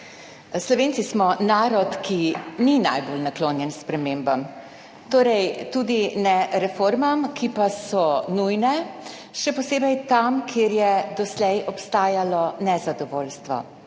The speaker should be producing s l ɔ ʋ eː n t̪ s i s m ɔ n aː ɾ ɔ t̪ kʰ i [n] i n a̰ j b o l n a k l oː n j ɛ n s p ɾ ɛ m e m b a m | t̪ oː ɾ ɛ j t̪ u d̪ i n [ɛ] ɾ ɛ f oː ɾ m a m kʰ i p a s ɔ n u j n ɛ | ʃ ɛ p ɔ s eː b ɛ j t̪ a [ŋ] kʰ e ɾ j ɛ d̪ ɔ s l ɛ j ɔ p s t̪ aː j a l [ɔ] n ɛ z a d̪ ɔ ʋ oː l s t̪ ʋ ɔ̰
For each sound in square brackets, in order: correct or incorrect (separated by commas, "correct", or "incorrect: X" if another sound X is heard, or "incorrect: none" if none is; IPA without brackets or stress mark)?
correct, correct, incorrect: m, correct